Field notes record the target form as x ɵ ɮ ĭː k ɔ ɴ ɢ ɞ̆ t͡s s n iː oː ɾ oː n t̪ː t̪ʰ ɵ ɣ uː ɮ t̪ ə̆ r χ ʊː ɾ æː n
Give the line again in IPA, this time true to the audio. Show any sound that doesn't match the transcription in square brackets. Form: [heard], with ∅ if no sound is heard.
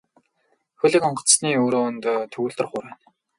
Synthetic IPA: x ɵ ɮ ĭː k ɔ ɴ ɢ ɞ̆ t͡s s n iː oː ɾ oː n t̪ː t̪ʰ ɵ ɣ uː ɮ t̪ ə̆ r χ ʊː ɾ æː n